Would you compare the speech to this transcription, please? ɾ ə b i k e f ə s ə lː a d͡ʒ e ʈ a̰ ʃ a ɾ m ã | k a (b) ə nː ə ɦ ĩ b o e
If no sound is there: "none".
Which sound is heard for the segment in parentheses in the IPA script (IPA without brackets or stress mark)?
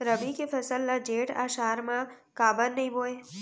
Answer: b